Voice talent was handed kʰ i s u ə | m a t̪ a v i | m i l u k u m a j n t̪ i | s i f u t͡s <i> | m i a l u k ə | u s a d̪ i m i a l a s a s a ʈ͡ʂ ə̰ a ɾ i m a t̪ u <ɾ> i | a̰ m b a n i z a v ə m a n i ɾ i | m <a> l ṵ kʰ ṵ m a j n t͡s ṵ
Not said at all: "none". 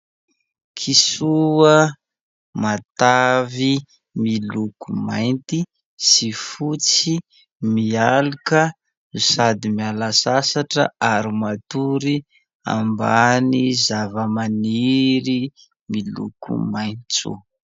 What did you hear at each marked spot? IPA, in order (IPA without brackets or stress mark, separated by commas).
i, ɾ, i